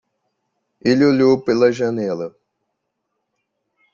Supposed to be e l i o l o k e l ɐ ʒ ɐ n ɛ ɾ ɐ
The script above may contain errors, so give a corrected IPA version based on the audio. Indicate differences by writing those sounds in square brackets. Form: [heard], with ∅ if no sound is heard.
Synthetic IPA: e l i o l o [p] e l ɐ ʒ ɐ n ɛ [l] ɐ